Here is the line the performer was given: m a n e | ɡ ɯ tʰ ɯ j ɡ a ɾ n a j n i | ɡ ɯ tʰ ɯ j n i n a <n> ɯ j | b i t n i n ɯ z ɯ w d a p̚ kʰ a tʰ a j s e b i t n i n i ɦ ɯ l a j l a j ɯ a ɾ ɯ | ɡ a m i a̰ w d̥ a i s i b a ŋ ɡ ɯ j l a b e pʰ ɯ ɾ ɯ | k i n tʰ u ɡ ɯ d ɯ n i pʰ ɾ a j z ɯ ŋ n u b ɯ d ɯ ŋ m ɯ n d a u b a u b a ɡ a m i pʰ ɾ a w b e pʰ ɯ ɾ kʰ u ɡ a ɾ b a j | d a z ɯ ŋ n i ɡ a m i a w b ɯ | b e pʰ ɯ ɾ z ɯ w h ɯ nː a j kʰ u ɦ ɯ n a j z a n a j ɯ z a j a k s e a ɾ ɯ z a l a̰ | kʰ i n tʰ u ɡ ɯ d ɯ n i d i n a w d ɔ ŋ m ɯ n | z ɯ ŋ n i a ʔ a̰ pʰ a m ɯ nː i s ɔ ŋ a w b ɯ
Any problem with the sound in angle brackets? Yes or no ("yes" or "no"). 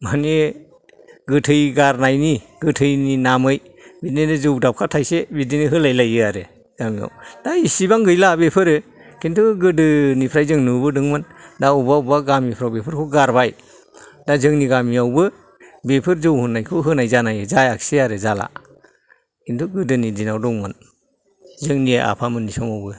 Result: yes